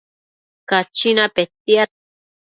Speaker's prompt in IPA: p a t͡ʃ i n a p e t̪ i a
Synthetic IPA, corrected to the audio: k a t͡ʃ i n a p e t̪ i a